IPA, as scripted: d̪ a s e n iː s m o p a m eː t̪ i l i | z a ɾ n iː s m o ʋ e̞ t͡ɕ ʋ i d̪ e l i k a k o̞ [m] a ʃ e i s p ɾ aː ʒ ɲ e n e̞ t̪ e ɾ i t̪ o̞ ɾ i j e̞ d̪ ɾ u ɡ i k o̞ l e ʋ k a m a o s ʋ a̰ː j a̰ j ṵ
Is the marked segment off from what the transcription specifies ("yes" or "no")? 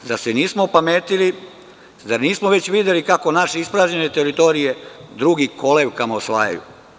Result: yes